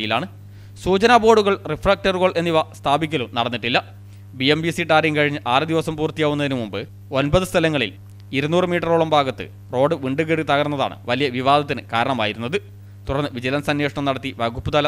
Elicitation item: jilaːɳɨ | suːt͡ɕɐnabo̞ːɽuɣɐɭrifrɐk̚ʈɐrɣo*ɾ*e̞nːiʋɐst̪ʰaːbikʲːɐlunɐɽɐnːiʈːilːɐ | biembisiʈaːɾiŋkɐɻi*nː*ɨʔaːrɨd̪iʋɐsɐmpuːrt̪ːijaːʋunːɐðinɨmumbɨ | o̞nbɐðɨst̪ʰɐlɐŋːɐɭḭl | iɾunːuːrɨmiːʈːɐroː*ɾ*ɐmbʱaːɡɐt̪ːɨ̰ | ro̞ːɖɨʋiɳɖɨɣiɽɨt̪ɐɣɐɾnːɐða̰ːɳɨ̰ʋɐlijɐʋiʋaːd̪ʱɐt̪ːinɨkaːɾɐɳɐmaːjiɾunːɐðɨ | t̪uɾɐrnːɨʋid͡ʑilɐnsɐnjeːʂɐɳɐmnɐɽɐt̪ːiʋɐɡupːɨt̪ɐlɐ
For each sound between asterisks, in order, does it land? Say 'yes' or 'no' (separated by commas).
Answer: no, no, no